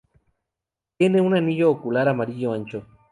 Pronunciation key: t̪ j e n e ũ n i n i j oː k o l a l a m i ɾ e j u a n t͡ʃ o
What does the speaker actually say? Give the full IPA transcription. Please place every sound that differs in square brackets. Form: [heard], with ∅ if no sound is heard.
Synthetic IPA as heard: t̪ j e n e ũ n [a] n i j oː k [u] l a [ɾ] a m [a] ɾ [i] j [o] a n t͡ʃ o